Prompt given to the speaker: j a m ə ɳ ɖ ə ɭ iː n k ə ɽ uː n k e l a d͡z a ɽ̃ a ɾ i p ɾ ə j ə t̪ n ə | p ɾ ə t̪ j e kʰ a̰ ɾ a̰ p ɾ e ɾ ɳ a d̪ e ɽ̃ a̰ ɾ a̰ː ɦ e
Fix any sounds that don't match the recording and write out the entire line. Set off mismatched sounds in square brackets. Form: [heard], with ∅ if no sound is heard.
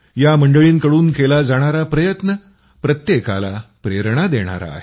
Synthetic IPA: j a m ə ɳ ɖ ə ɭ iː n k ə ɽ uː n k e l a d͡z a ɽ̃ a ɾ [a] p ɾ ə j ə t̪ n ə | p ɾ ə t̪ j e [k] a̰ [l] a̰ p ɾ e ɾ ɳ a d̪ e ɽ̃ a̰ ɾ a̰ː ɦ e